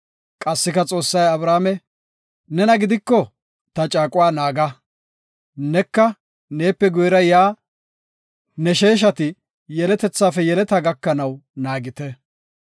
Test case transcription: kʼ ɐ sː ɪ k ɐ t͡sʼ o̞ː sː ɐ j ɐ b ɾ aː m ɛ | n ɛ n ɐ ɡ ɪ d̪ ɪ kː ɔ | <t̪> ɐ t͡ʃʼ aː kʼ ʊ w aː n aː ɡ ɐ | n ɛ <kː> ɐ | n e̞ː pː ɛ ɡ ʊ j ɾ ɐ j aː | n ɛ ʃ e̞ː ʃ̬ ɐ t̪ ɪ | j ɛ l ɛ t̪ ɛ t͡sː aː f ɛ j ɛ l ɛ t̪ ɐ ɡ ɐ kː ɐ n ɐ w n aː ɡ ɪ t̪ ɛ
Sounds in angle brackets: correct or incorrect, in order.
correct, correct

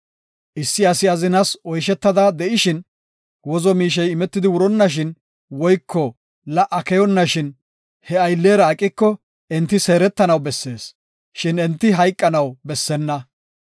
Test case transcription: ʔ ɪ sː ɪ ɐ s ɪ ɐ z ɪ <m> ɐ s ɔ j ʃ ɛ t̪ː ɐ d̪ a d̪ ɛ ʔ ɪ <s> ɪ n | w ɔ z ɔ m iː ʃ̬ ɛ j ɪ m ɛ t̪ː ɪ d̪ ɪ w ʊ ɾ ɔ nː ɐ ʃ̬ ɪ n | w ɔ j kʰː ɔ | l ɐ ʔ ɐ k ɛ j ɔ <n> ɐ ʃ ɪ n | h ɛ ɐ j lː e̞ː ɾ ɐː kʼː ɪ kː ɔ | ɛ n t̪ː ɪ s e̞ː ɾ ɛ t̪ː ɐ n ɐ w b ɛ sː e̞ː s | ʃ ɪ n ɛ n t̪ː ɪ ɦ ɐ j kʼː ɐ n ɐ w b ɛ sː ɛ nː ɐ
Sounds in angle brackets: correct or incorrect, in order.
incorrect, incorrect, incorrect

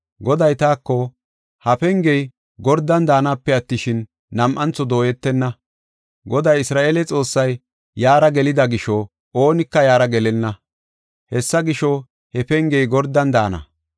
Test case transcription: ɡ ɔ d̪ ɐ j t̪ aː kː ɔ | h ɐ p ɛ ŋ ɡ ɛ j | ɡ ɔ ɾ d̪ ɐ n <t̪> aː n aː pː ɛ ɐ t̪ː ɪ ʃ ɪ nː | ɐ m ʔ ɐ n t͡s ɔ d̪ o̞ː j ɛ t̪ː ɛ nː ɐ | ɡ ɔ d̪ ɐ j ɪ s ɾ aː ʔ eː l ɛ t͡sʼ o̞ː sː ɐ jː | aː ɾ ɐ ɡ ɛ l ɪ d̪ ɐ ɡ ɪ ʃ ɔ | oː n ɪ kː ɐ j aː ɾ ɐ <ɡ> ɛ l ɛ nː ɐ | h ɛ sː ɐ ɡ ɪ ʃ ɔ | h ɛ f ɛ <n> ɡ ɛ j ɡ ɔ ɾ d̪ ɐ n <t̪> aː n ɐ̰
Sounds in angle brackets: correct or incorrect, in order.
incorrect, correct, incorrect, incorrect

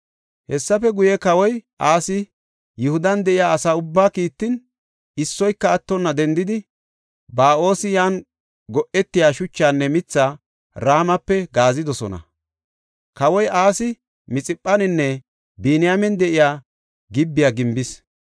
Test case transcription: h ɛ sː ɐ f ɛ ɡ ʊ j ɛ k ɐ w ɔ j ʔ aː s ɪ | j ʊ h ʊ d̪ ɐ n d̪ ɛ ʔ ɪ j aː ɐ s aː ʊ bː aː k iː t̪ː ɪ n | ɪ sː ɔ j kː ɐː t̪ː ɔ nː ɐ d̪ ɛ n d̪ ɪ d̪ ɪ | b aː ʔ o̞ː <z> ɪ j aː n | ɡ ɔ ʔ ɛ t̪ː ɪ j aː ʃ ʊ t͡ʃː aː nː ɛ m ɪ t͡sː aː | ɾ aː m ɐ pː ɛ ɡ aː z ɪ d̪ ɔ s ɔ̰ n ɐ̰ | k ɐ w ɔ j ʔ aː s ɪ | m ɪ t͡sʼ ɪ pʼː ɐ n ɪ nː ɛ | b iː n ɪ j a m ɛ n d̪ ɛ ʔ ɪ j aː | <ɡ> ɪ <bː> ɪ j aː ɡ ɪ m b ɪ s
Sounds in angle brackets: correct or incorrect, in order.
incorrect, correct, correct

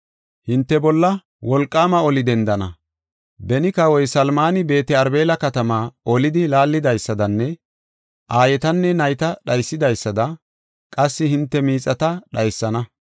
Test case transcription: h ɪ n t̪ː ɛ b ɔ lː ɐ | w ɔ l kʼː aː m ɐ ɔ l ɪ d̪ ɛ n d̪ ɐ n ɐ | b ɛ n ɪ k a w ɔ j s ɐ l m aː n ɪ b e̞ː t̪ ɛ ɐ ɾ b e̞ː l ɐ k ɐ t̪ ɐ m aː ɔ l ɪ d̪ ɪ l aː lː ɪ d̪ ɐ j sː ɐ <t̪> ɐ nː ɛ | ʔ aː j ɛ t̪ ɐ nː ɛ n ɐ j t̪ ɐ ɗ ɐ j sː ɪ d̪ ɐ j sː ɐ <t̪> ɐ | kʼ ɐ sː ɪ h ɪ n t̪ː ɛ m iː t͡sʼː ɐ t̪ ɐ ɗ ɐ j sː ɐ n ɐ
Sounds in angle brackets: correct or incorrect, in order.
incorrect, incorrect

